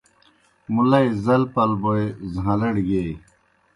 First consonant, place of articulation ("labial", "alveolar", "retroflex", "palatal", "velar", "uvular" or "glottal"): labial